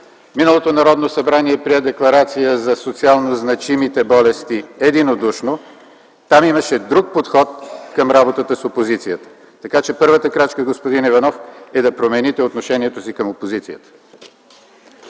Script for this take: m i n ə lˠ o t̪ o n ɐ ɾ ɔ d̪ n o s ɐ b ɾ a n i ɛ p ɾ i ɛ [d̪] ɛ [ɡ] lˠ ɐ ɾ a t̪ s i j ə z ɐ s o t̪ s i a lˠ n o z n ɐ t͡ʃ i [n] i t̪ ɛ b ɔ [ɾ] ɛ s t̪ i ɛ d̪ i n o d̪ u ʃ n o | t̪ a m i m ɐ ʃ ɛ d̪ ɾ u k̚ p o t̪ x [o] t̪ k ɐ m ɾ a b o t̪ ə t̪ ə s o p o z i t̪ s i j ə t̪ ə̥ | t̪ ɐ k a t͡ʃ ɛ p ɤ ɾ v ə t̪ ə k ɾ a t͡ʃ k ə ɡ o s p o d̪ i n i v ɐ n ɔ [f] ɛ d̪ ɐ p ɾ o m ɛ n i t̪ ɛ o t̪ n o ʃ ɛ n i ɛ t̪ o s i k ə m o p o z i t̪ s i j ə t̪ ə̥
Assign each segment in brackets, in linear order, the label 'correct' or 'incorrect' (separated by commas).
correct, incorrect, incorrect, incorrect, incorrect, correct